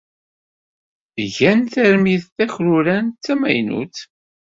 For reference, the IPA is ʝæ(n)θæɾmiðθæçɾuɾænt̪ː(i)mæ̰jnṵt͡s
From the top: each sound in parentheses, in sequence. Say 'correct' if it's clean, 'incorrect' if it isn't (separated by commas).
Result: correct, incorrect